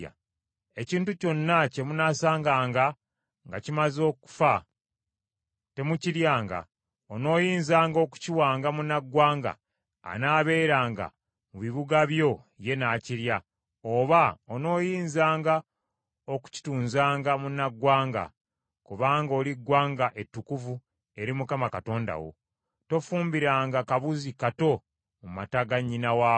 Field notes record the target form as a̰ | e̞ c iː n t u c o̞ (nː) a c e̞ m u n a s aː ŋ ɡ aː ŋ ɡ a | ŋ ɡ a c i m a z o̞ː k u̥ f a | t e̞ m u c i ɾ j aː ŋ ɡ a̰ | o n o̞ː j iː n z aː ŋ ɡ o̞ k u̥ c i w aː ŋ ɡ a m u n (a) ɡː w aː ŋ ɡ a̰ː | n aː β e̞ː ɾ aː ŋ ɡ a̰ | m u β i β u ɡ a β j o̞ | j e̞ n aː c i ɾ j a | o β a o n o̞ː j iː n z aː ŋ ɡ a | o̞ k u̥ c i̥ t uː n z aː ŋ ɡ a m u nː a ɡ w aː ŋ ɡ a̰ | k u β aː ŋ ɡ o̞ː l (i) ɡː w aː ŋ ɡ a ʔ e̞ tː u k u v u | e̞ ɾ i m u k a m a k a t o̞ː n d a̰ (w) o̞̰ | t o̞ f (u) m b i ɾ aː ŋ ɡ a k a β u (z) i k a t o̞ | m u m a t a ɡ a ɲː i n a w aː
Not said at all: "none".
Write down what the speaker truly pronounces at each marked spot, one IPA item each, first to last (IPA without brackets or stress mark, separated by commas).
nː, a, i, w, uː, z